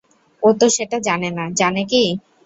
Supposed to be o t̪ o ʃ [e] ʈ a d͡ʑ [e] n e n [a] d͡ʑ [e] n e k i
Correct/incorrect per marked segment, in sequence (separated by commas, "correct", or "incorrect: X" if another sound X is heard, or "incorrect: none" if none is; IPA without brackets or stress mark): correct, incorrect: a, correct, incorrect: a